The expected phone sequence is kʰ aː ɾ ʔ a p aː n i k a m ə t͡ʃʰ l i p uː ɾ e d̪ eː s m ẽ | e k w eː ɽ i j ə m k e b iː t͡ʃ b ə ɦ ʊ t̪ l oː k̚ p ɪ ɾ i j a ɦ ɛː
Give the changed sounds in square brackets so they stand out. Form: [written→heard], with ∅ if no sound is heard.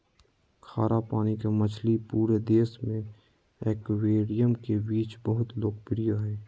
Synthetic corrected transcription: kʰ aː ɾ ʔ a p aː n i k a m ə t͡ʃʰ l i p uː ɾ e d̪ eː s m ẽ | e k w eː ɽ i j ə m k e b iː t͡ʃ b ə ɦ ʊ t̪ l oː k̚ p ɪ ɾ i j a ɦ ɛː

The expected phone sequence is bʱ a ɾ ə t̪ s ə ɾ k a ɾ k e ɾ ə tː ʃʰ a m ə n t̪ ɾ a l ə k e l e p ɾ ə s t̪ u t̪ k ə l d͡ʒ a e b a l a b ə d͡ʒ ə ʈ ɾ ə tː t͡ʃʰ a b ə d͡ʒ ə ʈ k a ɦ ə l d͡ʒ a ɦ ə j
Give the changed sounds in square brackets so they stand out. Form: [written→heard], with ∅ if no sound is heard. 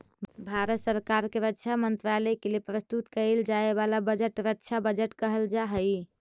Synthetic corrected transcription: bʱ a ɾ ə t̪ s ə ɾ k a ɾ k e ɾ ə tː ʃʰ a m ə n t̪ ɾ a l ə k e l e p ɾ ə s t̪ u t̪ k ə l d͡ʒ a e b a l a b ə d͡ʒ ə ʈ ɾ ə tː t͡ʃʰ a b ə d͡ʒ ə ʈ k [a→ə] ɦ ə l d͡ʒ a ɦ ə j

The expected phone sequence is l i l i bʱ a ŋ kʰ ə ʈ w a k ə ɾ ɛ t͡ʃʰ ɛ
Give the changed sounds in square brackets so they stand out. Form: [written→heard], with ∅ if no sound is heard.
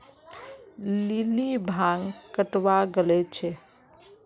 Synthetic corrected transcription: l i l i bʱ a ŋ [kʰ→k] ə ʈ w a [k→ɡ] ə [ɾ→l] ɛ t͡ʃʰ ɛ

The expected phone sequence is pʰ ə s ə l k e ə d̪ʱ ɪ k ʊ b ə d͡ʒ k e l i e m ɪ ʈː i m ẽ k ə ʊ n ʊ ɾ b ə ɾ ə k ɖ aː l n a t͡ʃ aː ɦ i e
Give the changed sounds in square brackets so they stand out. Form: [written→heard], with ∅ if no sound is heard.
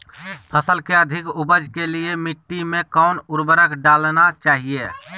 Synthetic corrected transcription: pʰ ə s ə l k e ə d̪ʱ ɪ k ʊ b ə d͡ʒ k e l i e m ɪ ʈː i m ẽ k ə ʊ n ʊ ɾ b ə ɾ ə k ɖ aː l n a t͡ʃ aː ɦ i e

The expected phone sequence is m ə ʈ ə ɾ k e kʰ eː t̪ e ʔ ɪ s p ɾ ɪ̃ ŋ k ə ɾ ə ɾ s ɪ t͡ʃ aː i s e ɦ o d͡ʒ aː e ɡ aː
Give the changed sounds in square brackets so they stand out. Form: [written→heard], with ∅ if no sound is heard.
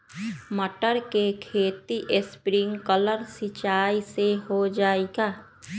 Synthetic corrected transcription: m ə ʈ ə ɾ k e kʰ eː t̪ [e→i] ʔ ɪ s p ɾ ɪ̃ ŋ k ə [ɾ→l] ə ɾ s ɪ t͡ʃ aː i s e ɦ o d͡ʒ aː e ɡ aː

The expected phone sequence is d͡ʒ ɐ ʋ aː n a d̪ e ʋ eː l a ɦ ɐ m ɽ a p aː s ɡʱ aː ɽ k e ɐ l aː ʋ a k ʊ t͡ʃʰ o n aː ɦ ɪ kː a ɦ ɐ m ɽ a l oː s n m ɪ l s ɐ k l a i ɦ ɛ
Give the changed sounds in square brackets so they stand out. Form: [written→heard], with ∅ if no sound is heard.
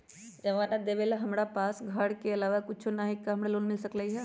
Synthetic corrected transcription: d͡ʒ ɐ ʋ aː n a d̪ e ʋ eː l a ɦ ɐ m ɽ a p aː s ɡʱ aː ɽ k e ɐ l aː ʋ a k ʊ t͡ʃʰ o n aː ɦ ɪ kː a ɦ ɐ m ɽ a l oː [s→∅] n m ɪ l s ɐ k l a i ɦ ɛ

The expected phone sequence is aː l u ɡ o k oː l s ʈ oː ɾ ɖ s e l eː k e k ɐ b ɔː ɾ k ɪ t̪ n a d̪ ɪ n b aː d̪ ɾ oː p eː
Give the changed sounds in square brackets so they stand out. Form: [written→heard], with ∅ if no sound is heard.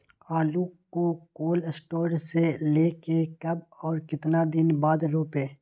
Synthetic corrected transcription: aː l u [ɡ→k] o k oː l s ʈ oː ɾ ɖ s e l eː k e k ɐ b ɔː ɾ k ɪ t̪ n a d̪ ɪ n b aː d̪ ɾ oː p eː

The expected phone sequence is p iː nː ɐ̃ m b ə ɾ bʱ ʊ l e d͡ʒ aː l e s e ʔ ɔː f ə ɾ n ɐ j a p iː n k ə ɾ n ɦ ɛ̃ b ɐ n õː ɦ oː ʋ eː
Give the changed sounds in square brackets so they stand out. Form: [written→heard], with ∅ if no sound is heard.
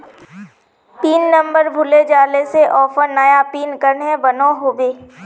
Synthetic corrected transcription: p iː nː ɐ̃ m b ə ɾ bʱ ʊ l e d͡ʒ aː l e s e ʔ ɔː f ə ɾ n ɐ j a p iː n k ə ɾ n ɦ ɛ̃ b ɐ n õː ɦ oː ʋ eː

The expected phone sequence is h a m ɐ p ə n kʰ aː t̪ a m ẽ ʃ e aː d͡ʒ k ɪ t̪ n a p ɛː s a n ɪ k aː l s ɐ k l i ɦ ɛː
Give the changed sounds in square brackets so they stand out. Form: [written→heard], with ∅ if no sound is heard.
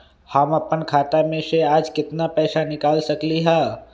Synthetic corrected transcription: h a m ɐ p ə n kʰ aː t̪ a m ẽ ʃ e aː d͡ʒ k ɪ t̪ n a p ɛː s a n ɪ k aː l s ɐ k l i ɦ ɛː

